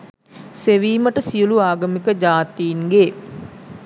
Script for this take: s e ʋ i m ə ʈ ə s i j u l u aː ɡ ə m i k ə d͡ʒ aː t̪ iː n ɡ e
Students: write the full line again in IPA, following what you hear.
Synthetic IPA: s e ʋ iː m ə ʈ ə s i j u l u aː ɡ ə m i k ə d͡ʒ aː t̪ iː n ɡ e